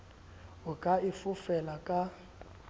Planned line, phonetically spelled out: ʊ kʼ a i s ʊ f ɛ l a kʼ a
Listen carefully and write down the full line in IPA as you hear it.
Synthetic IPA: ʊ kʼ a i f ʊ f ɛ l a kʼ a